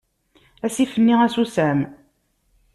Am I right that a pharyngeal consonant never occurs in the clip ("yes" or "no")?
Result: yes